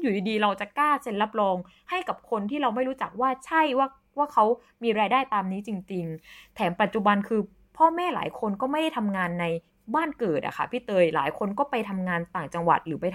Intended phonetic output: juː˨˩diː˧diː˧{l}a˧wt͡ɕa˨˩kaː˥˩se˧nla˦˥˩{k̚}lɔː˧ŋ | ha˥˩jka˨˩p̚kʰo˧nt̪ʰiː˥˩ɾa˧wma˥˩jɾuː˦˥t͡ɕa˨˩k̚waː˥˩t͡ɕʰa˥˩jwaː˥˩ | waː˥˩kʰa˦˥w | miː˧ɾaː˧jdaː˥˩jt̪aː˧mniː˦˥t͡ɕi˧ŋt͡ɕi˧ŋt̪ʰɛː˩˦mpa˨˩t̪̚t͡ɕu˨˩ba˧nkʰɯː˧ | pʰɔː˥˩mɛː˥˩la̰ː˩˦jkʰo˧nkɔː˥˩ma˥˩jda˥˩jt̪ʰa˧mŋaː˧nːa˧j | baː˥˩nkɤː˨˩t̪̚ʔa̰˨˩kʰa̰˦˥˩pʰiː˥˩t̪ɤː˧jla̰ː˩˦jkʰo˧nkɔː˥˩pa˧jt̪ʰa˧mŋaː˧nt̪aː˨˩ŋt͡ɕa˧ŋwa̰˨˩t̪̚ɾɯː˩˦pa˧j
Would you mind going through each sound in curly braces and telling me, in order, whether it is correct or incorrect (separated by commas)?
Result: incorrect, incorrect